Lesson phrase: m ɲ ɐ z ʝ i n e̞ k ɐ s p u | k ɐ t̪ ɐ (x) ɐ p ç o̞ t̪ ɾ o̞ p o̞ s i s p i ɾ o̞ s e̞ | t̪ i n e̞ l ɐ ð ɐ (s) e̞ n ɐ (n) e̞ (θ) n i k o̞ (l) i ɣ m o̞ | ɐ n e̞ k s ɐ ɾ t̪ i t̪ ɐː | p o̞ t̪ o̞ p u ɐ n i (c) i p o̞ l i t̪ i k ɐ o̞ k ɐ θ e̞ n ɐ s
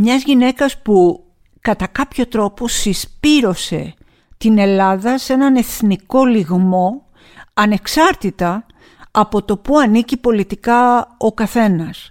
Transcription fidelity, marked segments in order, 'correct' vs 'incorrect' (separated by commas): incorrect, correct, correct, correct, correct, correct